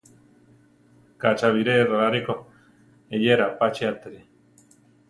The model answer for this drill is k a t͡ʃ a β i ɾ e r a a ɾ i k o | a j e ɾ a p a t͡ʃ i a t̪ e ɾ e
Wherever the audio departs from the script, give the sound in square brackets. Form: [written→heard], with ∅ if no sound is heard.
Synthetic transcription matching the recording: k a t͡ʃ a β i ɾ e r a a ɾ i k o | [a→e] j e ɾ a p a t͡ʃ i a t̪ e ɾ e